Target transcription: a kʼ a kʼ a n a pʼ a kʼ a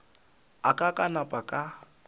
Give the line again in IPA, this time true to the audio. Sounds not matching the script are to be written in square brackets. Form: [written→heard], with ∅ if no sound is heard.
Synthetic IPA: a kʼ a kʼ a n a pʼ a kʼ a